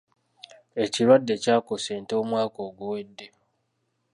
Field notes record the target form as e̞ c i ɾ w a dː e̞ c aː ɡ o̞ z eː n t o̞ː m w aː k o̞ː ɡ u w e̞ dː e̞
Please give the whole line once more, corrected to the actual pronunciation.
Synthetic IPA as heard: e̞ c i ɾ w a dː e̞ c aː k o̞ s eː n t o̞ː m w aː k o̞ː ɡ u w e̞ dː e̞